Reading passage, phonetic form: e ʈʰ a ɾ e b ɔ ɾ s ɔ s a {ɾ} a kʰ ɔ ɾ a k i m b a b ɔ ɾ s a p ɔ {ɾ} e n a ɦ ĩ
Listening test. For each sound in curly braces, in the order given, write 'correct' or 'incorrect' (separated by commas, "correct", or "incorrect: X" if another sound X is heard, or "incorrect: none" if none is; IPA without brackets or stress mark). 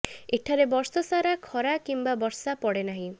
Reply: correct, incorrect: ɽ